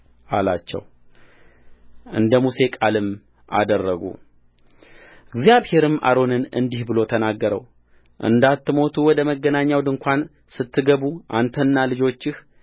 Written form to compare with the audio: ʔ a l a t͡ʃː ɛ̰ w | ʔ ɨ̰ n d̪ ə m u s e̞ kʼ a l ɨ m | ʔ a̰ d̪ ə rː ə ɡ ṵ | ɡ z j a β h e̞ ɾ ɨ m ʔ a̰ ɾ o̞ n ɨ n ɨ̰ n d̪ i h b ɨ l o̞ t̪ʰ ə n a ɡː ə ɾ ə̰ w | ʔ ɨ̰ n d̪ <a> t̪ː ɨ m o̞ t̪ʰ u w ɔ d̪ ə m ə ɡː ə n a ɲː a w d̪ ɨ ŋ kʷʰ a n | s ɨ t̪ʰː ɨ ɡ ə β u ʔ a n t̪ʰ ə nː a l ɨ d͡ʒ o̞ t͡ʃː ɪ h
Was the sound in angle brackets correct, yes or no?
yes